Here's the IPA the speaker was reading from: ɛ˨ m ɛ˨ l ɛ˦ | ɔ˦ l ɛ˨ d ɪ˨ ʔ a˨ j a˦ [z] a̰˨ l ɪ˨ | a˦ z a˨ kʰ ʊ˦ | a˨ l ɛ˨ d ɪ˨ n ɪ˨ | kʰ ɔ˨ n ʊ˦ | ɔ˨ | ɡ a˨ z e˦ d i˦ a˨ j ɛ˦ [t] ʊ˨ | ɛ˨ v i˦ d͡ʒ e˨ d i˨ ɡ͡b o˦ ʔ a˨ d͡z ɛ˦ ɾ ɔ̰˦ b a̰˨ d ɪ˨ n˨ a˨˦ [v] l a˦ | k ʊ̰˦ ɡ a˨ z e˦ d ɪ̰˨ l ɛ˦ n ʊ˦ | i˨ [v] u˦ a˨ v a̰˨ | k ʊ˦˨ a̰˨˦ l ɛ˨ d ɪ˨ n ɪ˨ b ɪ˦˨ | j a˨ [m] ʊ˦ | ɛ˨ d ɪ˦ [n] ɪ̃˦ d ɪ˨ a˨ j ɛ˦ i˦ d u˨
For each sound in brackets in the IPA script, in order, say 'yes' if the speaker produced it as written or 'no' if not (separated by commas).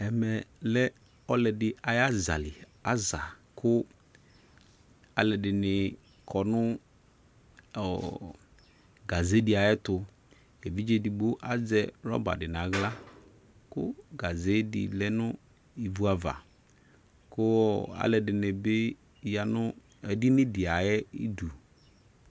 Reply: yes, yes, no, yes, no, yes